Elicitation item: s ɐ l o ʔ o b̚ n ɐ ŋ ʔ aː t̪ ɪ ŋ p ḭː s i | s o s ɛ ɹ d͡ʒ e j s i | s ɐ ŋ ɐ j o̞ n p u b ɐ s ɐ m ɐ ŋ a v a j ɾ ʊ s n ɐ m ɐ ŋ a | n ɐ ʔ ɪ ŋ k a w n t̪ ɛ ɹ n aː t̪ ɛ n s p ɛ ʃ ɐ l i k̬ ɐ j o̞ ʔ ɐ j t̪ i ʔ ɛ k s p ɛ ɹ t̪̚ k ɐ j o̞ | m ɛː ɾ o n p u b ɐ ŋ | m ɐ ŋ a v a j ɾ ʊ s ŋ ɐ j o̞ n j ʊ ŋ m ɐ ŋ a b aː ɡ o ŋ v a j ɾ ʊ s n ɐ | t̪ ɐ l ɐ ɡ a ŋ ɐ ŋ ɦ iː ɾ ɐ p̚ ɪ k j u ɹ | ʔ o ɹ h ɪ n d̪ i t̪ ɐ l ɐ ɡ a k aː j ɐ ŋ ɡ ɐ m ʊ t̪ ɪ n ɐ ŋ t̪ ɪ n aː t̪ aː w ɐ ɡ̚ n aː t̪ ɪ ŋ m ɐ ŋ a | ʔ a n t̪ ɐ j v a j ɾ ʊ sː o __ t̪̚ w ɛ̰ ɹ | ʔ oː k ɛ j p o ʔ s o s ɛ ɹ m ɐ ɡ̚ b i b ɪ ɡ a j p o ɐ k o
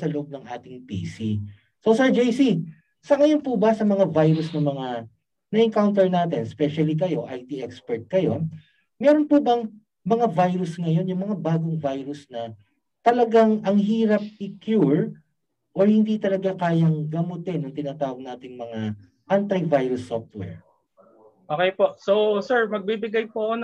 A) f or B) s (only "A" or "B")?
A